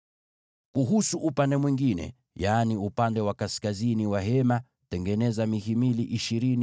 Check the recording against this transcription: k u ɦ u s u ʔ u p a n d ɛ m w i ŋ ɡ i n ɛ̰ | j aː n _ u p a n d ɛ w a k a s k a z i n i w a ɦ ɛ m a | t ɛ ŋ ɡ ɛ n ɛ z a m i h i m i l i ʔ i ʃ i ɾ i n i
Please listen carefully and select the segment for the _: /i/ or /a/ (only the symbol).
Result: i